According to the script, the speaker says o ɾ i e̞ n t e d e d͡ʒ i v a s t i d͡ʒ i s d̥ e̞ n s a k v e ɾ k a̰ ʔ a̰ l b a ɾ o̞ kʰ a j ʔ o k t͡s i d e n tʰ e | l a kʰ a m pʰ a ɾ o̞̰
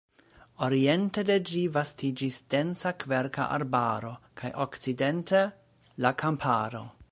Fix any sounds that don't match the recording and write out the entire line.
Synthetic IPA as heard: o ɾ i e̞ n t e d e d͡ʒ i v a s t i d͡ʒ i s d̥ e̞ n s a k v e ɾ k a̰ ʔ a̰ ɾ b a ɾ o̞ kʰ a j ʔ o k t͡s i d e n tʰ e | l a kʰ a m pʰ a ɾ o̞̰